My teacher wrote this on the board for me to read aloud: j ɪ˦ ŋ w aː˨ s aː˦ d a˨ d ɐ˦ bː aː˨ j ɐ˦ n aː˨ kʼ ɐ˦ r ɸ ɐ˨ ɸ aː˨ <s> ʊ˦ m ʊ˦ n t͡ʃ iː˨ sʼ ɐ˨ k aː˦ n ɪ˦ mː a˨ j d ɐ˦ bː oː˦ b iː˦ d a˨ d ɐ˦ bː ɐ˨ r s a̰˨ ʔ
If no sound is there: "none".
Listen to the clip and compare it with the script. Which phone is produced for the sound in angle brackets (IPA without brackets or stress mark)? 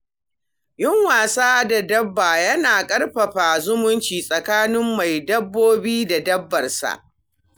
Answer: z